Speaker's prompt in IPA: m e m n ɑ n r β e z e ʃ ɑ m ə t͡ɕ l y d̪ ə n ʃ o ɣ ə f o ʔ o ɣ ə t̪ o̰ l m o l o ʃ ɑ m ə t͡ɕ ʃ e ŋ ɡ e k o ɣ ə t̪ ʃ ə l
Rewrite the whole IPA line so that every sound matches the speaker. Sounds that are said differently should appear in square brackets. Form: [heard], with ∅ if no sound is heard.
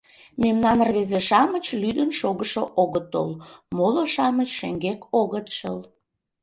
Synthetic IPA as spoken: m e m n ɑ n r β e z e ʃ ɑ m ə t͡ɕ l y d̪ ə n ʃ o ɣ ə [ʃ] o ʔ o ɣ ə t̪ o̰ l m o l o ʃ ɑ m ə t͡ɕ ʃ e ŋ ɡ e k o ɣ ə t̪ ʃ ə l